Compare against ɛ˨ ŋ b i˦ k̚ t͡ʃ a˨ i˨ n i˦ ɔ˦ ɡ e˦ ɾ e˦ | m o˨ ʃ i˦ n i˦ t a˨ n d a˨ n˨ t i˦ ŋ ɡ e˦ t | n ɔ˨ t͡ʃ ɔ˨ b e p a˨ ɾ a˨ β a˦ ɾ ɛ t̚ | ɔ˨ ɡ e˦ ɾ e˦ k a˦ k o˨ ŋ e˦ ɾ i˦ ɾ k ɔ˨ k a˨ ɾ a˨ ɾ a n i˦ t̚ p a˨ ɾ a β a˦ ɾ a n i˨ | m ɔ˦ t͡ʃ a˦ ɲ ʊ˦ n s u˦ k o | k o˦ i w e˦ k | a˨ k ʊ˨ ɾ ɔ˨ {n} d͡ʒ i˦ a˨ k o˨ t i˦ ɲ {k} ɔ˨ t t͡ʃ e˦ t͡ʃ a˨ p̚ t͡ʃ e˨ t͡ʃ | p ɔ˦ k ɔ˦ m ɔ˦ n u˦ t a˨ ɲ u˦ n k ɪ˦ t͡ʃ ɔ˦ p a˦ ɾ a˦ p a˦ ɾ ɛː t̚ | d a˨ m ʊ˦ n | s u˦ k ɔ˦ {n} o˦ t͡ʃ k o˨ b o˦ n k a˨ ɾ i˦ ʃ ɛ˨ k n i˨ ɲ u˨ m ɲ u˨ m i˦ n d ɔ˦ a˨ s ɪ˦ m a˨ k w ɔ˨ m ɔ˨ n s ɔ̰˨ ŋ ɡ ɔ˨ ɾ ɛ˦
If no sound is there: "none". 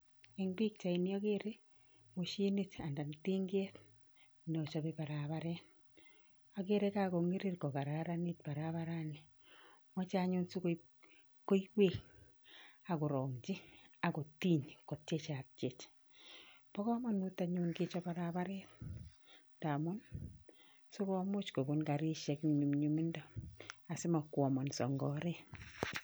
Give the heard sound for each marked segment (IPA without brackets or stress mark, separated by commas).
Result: ŋ, k, m